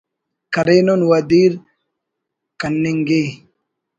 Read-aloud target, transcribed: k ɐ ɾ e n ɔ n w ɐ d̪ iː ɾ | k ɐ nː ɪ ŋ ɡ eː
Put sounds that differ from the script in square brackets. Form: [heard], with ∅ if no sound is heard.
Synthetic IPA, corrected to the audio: k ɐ ɾ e n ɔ n w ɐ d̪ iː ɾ | k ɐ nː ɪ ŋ ɡ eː